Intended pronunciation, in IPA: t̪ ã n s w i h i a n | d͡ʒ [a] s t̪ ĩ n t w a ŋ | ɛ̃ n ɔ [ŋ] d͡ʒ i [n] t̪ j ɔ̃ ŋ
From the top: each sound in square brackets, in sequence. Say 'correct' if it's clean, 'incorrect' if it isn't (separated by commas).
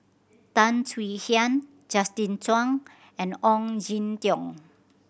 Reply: correct, correct, correct